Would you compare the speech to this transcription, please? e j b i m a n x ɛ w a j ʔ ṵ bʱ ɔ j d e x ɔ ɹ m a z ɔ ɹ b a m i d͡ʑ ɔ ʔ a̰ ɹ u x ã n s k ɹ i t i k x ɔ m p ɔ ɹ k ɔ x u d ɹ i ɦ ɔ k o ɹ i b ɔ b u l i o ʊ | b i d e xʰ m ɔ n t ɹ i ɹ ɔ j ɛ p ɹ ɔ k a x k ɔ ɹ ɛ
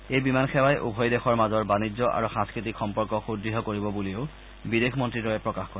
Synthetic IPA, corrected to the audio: e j b i m a n x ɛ w a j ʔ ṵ bʱ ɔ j d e x ɔ ɹ m a z ɔ ɹ b a n i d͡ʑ ɔ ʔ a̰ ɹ u x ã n s k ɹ i t i k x ɔ m p ɔ ɹ k ɔ x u d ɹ i ɦ ɔ k o ɹ i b ɔ b u l i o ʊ | b i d e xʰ m ɔ n t ɹ i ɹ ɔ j ɛ p ɹ ɔ k a x k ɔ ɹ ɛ

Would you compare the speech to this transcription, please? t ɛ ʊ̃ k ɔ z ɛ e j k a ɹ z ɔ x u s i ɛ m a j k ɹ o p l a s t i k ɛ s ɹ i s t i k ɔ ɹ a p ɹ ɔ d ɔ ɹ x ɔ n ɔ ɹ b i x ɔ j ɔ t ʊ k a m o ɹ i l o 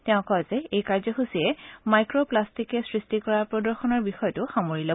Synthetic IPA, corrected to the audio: t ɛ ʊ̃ k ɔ z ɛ e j k a ɹ z ɔ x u s i ɛ m a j k ɹ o p l a s t i k ɛ s ɹ i s t i k ɔ ɹ a p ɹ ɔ d ɔ ɹ x ɔ n ɔ ɹ b i x ɔ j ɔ t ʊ x a m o ɹ i l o

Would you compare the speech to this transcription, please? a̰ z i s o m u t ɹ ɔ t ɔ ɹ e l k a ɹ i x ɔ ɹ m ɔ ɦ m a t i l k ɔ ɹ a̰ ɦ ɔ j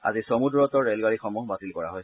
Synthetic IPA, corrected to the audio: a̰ z i s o m u d ɹ ɔ t ɔ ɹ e l ɡ a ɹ i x ɔ m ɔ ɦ b a t i l k ɔ ɹ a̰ ɦ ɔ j

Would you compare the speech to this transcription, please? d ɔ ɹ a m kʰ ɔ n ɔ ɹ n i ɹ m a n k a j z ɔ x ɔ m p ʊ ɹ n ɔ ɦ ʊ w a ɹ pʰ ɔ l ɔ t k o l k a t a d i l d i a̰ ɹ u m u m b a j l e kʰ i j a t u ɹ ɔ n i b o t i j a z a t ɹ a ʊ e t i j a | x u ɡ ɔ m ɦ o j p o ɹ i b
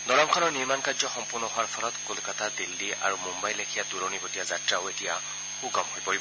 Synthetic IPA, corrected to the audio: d ɔ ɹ a m kʰ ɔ n ɔ ɹ n i ɹ m a n k a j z ɔ x ɔ m p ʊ ɹ n ɔ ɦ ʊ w a ɹ pʰ ɔ l ɔ t k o l k a t a d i l d i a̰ ɹ u m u m b a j l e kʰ i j a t u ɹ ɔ n i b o t i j a z a t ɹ a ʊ e t i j a | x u ɡ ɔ m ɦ o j p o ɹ i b

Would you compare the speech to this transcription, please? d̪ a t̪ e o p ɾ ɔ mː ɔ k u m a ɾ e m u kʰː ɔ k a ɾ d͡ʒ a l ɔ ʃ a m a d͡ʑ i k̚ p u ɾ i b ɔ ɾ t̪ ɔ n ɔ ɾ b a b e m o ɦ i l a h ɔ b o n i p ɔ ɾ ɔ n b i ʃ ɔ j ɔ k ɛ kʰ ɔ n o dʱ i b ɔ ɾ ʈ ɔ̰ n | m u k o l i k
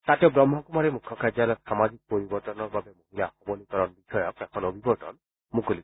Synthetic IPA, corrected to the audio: t̪ a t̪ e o b ɾ ɔ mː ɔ k u m a ɾ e m u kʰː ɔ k a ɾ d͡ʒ a l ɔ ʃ a m a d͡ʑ i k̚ p o ɾ i b ɔ ɾ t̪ ɔ n ɔ ɾ b a b e m o ɦ i l a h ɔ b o n i k ɔ ɾ ɔ n b i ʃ ɔ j ɔ k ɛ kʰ ɔ n o bʱ i b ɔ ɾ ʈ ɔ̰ n | m u k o l i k

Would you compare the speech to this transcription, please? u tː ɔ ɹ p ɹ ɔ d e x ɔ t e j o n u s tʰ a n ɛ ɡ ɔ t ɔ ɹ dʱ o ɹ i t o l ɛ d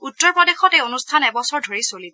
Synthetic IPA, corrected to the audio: u tː ɔ ɹ p ɹ ɔ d e x ɔ t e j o n u s tʰ a n ɛ b ɔ s ɔ ɹ dʱ o ɹ i s o l i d

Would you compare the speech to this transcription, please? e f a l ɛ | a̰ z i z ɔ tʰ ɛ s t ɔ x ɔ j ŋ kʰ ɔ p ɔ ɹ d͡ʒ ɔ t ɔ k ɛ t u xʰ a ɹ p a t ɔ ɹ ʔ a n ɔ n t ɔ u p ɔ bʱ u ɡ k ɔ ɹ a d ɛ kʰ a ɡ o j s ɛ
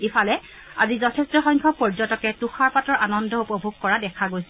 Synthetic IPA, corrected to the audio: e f a l ɛ | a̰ z i z ɔ tʰ ɛ s t ɔ x ɔ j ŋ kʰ ɔ p ɔ ɹ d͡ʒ ɔ t ɔ k ɛ t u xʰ a ɹ p a t ɔ ɹ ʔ a n ɔ n d ɔ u p ɔ bʱ u ɡ k ɔ ɹ a d ɛ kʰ a ɡ o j s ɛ

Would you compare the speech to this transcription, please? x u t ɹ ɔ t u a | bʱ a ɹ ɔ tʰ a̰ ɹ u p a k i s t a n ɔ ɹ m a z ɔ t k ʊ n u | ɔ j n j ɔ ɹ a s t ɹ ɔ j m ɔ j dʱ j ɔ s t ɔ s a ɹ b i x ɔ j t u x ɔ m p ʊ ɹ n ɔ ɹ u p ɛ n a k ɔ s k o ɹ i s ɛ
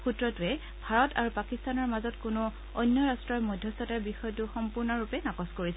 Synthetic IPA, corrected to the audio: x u t ɹ ɔ t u ɛ | bʱ a ɹ ɔ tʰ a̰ ɹ u p a k i s t a n ɔ ɹ m a z ɔ t k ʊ n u | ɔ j n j ɔ ɹ a s t ɹ ɔ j m ɔ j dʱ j ɔ s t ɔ t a ɹ b i x ɔ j t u x ɔ m p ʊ ɹ n ɔ ɹ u p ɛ n a k ɔ s k o ɹ i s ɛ

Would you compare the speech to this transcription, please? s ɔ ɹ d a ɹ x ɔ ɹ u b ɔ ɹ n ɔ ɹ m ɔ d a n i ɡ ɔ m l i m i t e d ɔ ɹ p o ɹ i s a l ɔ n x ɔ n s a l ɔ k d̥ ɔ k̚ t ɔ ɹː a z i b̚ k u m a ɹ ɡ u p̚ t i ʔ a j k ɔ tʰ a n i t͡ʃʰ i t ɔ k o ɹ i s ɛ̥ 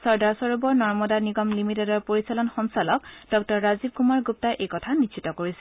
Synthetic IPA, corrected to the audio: s ɔ ɹ d a ɹ s ɔ ɹ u b ɔ ɹ n ɔ ɹ m ɔ d a n i ɡ ɔ m l i m i t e d ɔ ɹ p o ɹ i s a l ɔ n x ɔ n s a l ɔ k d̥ ɔ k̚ t ɔ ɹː a z i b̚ k u m a ɹ ɡ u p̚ t a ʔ e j k ɔ tʰ a n i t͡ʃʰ i t ɔ k o ɹ i s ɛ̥

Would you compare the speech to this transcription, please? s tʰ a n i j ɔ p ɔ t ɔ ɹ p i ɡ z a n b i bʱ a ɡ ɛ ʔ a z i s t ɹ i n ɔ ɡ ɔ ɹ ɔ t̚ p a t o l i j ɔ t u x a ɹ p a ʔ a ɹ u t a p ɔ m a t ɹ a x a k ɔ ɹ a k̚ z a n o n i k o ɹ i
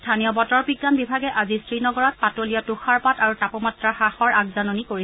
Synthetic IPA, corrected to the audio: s tʰ a n i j ɔ b ɔ t ɔ ɹ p i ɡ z a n b i bʱ a ɡ ɛ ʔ a z i s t ɹ i n ɔ ɡ ɔ ɹ ɔ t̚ p a t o l i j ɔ t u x a ɹ p a t a ɹ u t a p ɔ m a t ɹ a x a x ɔ ɹ a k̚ z a n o n i k o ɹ i

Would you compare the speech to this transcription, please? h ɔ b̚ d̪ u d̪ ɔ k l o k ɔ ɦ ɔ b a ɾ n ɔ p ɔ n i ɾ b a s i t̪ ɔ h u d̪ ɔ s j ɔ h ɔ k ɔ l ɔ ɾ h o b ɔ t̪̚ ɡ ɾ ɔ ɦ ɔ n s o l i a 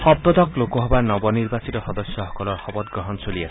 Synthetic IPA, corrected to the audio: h ɔ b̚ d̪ ɔ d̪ ɔ k l o k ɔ ɦ ɔ b a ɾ n ɔ b ɔ n i ɾ b a s i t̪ ɔ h ɔ d̪ ɔ s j ɔ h ɔ k ɔ l ɔ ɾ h ɔ b ɔ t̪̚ ɡ ɾ ɔ ɦ ɔ n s o l i a

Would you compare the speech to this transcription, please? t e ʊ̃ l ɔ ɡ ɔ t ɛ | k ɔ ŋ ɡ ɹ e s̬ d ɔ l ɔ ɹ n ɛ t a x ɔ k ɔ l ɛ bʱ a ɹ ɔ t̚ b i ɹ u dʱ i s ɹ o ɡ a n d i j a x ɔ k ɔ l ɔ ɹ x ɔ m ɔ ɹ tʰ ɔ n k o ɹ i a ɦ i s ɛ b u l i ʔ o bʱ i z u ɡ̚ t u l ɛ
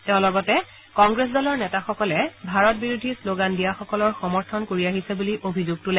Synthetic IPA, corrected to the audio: t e ʊ̃ l ɔ ɡ ɔ t ɛ | k ɔ ŋ ɡ ɹ e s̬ d ɔ l ɔ ɹ n ɛ t a x ɔ k ɔ l ɛ bʱ a ɹ ɔ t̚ b i ɹ u dʱ i s l o ɡ a n d i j a x ɔ k ɔ l ɔ ɹ x ɔ m ɔ ɹ tʰ ɔ n k o ɹ i a ɦ i s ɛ b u l i ʔ o bʱ i z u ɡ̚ t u l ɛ

